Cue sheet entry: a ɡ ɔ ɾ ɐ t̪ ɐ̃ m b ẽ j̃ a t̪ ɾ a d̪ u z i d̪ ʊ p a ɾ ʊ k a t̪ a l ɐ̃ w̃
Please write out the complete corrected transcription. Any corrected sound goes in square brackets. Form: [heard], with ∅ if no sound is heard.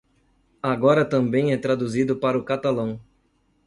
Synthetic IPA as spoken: a ɡ ɔ ɾ ɐ t̪ ɐ̃ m b ẽ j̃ [ɛ] t̪ ɾ a d̪ u z i d̪ ʊ p a ɾ ʊ k a t̪ a l ɐ̃ w̃